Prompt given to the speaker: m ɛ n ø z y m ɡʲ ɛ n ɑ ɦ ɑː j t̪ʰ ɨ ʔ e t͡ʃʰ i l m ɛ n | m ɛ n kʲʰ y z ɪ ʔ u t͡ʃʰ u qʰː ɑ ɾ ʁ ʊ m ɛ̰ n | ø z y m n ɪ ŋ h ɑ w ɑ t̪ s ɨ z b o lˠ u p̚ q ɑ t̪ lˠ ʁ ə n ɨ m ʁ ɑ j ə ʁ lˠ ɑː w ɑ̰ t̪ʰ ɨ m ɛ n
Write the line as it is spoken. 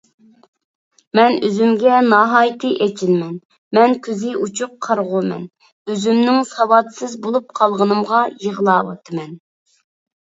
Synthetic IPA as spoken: m ɛ n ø z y m ɡʲ ɛ n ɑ ɦ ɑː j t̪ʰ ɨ ʔ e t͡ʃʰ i l m ɛ n | m ɛ n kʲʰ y z ɪ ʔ u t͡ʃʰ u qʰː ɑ ɾ ʁ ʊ m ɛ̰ n | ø z y m n ɪ ŋ s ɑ w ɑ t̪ s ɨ z b o lˠ u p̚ qʰ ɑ lˠ ʁ ə n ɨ m ʁ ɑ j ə ʁ lˠ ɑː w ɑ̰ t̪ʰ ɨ m ɛ n

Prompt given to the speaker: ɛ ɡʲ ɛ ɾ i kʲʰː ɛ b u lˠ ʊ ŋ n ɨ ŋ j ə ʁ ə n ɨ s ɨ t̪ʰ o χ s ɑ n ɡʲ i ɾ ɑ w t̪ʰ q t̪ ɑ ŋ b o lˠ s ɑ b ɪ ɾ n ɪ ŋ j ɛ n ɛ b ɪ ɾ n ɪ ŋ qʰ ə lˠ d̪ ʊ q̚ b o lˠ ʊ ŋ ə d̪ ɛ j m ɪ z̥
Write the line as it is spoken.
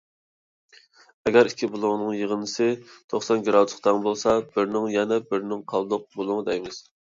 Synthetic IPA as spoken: ɛ ɡʲ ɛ ɾ i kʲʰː i b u lˠ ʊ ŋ n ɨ ŋ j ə ʁ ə n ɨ s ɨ t̪ʰ o χ s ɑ n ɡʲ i ɾ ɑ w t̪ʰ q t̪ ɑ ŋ b o lˠ s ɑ b ɪ ɾ n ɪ ŋ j ɛ n ɛ b ɪ ɾ n ɪ ŋ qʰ ɑ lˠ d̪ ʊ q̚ b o lˠ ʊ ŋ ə d̪ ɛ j m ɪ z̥

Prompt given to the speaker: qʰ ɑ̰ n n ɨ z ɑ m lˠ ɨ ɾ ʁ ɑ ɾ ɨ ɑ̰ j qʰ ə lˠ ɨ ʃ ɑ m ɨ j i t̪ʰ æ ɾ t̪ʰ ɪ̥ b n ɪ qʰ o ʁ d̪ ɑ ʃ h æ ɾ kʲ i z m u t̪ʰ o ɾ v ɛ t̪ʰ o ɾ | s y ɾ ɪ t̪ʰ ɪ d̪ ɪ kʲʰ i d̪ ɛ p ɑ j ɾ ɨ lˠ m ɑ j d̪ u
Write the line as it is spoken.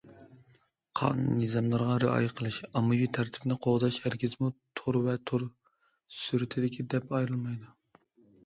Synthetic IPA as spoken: qʰ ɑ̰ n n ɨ z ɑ m lˠ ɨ ɾ ʁ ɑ ɾ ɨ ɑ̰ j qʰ ə lˠ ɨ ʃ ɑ m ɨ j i t̪ʰ æ ɾ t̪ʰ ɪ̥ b n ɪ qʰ o ʁ d̪ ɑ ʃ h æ ɾ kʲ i z m u t̪ʰ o ɾ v ɛ t̪ʰ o ɾ | s y ɾ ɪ t̪ʰ ɪ d̪ ɪ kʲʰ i d̪ ɛ p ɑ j ɾ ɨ lˠ m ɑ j d̪ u

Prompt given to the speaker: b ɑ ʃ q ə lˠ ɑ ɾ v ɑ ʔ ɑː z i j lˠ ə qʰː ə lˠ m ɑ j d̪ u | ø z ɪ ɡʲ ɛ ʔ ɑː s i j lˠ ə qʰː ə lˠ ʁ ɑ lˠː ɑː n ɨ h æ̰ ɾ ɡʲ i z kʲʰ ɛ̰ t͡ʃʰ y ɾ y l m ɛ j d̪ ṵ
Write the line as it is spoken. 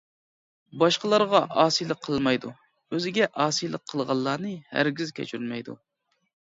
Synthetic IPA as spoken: b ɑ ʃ q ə lˠ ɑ ɾ ʁ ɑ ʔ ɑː s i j lˠ ə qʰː ə lˠ m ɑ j d̪ u | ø z ɪ ɡʲ ɛ ʔ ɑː s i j lˠ ə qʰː ə lˠ ʁ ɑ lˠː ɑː n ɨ h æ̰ ɾ ɡʲ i z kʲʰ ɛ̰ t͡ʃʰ y ɾ y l m ɛ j d̪ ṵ

